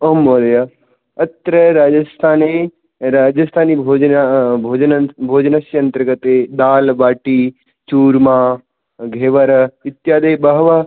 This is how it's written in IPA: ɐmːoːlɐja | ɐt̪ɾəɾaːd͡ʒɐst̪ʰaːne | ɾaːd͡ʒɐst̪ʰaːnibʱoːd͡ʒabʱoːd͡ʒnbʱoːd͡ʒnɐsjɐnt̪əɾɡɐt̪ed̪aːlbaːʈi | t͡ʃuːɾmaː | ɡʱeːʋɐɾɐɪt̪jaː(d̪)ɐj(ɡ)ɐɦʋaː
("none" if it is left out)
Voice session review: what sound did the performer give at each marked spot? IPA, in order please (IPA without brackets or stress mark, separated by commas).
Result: d̪, b